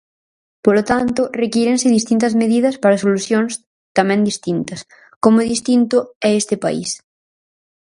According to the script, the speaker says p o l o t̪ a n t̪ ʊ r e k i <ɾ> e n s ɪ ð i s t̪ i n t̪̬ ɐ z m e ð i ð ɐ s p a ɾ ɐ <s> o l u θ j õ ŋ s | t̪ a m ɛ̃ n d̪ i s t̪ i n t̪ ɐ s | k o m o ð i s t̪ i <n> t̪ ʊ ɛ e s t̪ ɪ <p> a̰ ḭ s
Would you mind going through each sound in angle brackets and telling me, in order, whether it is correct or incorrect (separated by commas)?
correct, correct, correct, correct